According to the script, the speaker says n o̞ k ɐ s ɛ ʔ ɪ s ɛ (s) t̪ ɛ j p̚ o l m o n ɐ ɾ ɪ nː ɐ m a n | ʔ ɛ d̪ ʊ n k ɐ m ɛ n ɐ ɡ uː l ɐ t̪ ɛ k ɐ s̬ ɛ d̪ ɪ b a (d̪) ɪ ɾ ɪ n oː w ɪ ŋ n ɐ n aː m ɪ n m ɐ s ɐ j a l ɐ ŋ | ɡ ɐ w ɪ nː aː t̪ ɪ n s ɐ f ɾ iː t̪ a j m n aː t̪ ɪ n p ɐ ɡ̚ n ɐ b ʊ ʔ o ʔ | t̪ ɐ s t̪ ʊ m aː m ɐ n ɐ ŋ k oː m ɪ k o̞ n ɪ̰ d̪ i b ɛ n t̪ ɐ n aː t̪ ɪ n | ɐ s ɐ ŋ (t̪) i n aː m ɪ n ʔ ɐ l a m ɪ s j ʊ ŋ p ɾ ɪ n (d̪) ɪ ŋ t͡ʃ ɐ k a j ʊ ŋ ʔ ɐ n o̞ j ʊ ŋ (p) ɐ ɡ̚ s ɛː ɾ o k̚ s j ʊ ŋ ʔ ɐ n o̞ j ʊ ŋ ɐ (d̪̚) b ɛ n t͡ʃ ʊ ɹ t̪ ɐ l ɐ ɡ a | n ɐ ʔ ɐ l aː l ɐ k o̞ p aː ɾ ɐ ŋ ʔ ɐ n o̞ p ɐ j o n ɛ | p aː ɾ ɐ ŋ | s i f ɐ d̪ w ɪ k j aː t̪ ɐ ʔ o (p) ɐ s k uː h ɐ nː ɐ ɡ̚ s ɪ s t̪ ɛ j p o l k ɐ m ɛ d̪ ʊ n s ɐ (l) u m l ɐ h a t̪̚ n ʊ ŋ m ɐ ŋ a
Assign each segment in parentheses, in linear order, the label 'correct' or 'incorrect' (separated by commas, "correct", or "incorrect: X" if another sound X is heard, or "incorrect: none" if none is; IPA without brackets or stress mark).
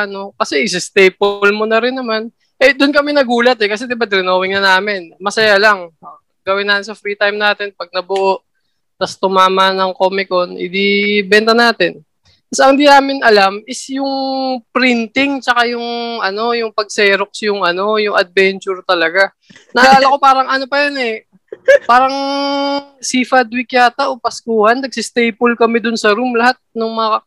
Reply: correct, correct, incorrect: d̪, incorrect: t̪, correct, correct, correct, incorrect: ɾ